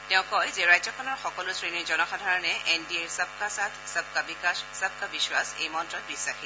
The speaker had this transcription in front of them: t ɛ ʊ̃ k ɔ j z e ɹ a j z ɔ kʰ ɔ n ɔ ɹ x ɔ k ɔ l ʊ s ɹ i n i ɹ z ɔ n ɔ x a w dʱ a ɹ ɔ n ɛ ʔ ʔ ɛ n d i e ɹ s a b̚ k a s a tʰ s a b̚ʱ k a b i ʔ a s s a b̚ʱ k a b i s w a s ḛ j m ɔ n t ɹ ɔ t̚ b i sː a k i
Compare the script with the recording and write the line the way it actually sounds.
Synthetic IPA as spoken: t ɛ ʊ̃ k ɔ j z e ɹ a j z ɔ kʰ ɔ n ɔ ɹ x ɔ k ɔ l ʊ s ɹ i n i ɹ z ɔ n ɔ x a dʱ a ɹ ɔ n ɛ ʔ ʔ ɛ n d i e ɹ s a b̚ k a s a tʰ s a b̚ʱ k a b i k a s s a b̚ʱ k a b i s w a s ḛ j m ɔ n t ɹ ɔ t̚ b i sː a x i